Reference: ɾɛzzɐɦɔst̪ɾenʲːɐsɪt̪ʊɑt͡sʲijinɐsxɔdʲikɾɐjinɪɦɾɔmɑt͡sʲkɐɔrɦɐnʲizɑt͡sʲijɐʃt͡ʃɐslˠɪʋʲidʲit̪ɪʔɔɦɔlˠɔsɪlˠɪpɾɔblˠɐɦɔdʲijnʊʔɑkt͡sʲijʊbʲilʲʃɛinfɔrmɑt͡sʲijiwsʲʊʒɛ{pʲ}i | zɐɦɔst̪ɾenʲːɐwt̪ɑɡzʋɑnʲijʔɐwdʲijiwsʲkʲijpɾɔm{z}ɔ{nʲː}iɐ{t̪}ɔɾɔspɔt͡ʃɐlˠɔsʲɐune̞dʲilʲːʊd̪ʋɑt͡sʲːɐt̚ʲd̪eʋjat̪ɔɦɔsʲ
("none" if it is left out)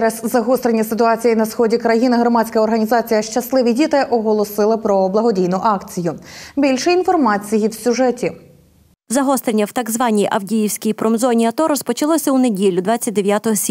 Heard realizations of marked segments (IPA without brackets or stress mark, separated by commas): tʲ, z, nʲ, t̪